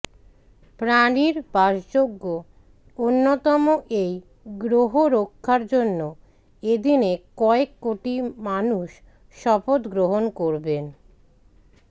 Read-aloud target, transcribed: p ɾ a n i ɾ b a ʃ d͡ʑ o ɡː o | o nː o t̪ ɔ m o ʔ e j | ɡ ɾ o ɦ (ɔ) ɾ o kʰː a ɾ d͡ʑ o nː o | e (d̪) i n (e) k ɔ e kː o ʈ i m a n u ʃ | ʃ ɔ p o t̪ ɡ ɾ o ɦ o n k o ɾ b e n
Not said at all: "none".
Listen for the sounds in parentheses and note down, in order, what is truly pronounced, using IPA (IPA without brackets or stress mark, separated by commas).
o, d̪, e